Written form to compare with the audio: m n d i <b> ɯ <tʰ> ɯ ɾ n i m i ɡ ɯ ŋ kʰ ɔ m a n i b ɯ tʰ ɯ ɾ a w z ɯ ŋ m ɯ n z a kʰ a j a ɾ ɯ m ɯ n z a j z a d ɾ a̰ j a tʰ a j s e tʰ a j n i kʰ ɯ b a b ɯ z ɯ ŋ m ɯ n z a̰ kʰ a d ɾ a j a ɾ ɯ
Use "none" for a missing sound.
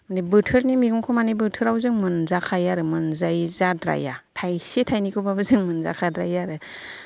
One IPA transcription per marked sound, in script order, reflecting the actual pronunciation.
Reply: b, tʰ

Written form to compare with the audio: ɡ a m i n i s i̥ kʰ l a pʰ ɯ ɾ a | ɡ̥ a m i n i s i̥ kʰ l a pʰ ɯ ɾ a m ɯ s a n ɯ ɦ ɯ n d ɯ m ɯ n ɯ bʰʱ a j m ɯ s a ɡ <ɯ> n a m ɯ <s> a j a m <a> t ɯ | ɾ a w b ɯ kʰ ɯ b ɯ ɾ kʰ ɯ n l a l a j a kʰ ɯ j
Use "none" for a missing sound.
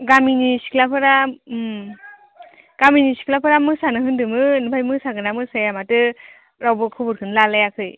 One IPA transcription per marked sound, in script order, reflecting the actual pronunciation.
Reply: ɯ, s, a

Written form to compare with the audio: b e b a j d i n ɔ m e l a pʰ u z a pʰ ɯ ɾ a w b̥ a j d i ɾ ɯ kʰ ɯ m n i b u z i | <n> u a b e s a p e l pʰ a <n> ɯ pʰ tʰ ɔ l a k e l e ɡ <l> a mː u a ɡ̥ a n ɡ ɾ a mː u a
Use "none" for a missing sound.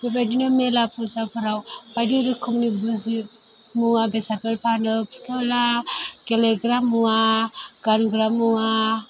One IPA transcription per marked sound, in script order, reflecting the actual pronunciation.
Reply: m, n, ɾ

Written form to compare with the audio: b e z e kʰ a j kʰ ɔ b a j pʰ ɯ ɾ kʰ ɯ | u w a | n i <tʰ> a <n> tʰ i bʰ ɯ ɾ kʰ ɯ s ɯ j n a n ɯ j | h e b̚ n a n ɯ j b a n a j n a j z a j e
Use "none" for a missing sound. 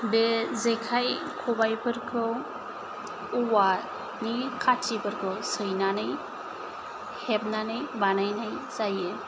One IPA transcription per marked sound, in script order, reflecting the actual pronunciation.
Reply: kʰ, none

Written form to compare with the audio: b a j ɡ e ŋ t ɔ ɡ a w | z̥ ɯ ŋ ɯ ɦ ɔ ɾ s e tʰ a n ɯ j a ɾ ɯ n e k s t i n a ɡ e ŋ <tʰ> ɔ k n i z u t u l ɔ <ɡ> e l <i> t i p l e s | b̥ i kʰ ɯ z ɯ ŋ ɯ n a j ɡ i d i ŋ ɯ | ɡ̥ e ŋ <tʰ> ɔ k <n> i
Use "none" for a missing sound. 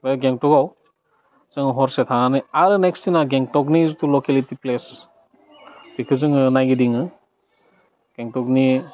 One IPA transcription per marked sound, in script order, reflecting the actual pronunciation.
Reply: t, k, i, t, n

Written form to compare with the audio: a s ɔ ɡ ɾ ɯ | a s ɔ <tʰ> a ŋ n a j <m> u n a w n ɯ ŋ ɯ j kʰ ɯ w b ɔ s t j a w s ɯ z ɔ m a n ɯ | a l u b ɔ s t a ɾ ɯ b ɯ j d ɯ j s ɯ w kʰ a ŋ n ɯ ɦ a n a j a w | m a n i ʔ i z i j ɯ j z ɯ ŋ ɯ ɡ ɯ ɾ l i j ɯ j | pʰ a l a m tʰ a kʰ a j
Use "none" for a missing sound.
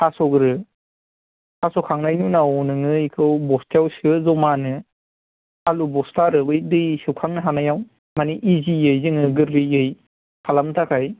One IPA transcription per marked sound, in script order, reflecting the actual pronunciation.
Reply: kʰ, n

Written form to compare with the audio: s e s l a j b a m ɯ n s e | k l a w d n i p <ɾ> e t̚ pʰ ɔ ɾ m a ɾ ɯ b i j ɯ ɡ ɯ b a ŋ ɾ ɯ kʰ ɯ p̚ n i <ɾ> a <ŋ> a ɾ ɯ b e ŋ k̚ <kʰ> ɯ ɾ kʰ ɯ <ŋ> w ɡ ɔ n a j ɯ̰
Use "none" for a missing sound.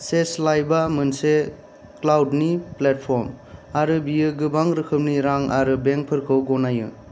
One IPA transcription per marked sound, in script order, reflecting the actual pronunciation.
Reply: l, ɾ, ŋ, pʰ, none

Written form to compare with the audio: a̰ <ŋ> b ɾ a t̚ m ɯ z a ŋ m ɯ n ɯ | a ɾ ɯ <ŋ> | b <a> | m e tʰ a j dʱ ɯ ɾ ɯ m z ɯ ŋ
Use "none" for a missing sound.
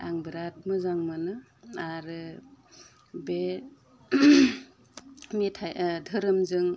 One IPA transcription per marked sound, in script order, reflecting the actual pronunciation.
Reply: ŋ, none, e

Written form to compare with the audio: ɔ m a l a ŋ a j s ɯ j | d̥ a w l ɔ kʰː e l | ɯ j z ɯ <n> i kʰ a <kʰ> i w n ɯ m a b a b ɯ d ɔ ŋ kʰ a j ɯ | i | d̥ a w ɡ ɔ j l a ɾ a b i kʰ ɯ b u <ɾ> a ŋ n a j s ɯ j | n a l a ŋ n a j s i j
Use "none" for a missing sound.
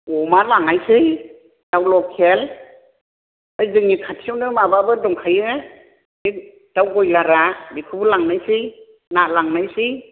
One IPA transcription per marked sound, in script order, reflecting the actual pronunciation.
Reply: ŋ, tʰ, l

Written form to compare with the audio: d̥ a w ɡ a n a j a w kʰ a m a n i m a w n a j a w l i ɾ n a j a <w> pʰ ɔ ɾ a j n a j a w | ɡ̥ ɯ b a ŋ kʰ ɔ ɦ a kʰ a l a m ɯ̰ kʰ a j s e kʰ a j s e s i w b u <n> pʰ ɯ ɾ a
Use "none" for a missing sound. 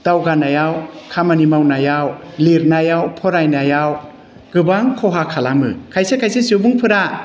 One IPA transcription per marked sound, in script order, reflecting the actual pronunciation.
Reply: w, ŋ

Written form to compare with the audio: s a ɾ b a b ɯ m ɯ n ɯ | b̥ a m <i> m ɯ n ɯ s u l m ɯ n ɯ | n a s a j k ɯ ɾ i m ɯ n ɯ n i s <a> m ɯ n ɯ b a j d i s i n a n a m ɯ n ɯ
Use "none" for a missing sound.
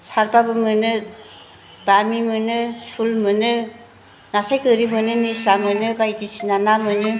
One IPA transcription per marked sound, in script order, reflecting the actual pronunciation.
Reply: i, a

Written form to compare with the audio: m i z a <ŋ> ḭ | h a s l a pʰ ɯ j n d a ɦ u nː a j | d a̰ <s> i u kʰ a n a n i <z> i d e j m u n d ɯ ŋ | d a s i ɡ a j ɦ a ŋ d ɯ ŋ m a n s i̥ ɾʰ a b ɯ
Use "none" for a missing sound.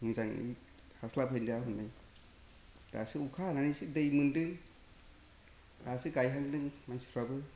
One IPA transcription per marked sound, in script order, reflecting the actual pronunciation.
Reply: ŋ, s, s

